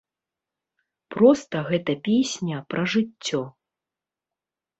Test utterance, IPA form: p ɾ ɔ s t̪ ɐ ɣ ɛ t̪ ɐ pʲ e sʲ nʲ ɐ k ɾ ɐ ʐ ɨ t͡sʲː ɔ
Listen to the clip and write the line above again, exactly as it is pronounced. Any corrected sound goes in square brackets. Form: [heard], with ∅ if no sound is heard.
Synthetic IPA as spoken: p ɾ ɔ s t̪ ɐ ɣ ɛ t̪ ɐ pʲ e sʲ nʲ ɐ [p] ɾ ɐ ʐ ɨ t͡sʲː ɔ